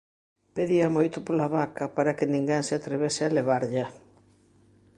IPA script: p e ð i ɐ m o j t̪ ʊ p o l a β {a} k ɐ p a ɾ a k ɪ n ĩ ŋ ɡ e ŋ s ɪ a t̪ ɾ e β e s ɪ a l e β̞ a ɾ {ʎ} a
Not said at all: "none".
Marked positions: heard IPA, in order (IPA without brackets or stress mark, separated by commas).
a, ʎ